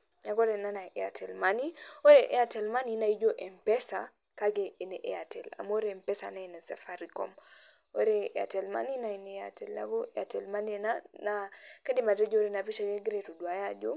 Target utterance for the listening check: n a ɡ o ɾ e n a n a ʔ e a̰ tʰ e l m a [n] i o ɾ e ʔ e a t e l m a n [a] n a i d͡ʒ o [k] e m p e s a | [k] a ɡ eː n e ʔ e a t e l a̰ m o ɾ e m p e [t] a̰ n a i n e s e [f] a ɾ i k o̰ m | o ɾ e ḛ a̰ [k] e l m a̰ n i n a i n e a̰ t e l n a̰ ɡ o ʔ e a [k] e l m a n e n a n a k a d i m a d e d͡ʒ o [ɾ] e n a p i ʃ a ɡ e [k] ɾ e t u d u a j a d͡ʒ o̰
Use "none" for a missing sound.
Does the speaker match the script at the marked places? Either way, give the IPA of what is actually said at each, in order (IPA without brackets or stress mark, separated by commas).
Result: n, i, ʔ, k, s, f, t, t, ɾ, ɡ